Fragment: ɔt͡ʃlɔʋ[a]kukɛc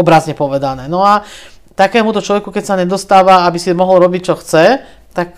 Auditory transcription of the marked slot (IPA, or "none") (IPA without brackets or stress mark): ɛ